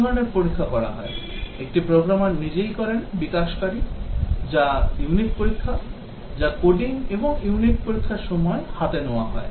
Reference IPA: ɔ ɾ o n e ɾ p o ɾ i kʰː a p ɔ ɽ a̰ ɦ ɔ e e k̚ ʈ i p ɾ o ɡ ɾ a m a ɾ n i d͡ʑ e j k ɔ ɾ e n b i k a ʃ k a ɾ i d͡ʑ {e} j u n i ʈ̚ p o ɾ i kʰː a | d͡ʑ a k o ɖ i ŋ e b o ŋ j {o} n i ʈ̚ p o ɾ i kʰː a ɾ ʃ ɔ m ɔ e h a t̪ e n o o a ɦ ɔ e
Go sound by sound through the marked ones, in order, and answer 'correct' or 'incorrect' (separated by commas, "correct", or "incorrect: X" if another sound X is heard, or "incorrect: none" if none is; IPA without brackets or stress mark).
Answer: incorrect: a, incorrect: u